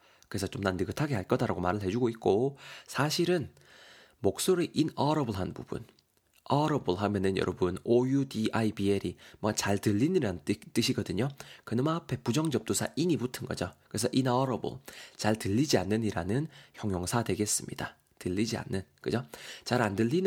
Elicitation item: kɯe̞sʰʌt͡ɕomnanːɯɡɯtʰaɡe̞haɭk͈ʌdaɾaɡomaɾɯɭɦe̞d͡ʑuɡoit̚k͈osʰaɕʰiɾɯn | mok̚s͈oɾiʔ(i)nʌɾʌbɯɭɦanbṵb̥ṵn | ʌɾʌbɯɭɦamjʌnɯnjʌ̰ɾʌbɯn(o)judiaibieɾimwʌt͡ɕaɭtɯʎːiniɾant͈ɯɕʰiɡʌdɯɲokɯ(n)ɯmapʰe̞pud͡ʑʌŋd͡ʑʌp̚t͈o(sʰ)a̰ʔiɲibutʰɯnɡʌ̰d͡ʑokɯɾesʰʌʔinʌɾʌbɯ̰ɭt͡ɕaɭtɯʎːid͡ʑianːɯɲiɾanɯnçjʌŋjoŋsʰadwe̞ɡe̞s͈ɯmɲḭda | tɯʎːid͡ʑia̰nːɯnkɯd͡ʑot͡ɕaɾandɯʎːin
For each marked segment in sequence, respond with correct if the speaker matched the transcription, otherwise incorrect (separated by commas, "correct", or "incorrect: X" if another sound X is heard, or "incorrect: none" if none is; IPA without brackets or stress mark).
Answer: correct, correct, correct, correct